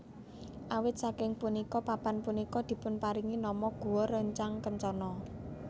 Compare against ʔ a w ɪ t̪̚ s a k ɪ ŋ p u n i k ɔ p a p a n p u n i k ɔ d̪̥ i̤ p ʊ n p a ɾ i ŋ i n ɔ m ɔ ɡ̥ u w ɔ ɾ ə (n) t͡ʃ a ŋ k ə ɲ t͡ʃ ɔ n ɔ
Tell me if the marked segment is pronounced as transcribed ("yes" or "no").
no